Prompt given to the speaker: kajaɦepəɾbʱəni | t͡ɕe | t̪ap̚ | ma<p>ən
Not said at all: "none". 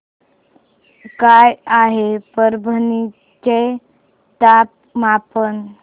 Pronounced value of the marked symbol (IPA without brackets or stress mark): p